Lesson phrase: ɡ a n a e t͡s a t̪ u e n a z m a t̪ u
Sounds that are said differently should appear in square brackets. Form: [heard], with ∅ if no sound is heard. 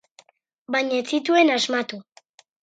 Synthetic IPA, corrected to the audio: [b] a [ɲ] a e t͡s [i] t̪ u e n a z m a t̪ u